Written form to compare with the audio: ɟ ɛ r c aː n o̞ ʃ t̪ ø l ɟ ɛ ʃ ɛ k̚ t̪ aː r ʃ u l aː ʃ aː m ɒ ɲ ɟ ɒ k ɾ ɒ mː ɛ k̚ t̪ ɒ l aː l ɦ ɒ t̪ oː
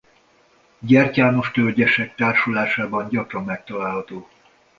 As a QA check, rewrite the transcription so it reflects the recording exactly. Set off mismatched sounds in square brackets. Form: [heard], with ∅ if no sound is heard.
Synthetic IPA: ɟ ɛ r c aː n o̞ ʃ t̪ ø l ɟ ɛ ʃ ɛ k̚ t̪ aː r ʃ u l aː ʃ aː [b] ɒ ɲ ɟ ɒ k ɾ ɒ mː ɛ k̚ t̪ ɒ l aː l ɦ ɒ t̪ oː

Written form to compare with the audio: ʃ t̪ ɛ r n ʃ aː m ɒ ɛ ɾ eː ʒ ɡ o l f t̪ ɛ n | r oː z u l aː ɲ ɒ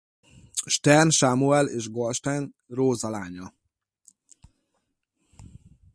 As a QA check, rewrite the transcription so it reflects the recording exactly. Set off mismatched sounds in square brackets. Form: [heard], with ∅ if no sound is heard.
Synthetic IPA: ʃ t̪ ɛ r n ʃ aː m [u] ɛ [l] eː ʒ ɡ o l [ʃ] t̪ ɛ n | r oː z [ɒ] l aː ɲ ɒ

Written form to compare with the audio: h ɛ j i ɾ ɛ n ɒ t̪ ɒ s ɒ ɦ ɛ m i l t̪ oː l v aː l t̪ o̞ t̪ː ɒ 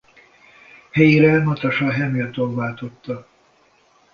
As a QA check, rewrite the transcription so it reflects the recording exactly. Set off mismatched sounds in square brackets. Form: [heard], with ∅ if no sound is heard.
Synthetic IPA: h ɛ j i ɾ ɛ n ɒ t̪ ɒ [ʃ] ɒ ɦ ɛ m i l t̪ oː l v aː l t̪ o̞ t̪ː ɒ

